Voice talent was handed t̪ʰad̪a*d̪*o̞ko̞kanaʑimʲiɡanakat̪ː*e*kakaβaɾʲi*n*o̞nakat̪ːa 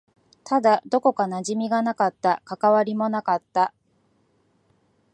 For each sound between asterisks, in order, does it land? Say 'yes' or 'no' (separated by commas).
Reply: yes, no, no